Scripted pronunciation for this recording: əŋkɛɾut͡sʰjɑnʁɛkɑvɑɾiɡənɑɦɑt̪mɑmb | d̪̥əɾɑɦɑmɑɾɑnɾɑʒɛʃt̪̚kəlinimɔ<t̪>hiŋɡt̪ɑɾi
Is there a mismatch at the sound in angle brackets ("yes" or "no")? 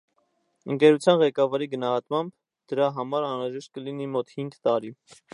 no